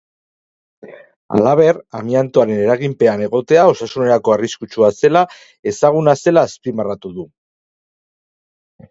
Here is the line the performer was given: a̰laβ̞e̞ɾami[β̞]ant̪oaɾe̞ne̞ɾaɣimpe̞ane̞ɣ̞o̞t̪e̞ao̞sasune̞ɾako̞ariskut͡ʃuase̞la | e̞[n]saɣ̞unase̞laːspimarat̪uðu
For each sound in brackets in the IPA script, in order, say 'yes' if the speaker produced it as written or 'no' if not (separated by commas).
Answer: no, no